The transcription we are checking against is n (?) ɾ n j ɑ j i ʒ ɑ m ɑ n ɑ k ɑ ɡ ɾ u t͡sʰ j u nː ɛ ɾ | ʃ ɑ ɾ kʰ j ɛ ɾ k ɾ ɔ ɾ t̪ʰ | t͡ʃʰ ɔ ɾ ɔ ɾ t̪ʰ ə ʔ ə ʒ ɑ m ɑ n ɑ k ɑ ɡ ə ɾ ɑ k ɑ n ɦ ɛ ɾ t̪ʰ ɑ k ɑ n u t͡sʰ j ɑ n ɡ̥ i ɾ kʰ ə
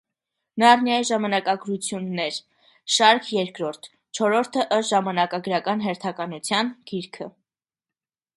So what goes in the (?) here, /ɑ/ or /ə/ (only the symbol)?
ɑ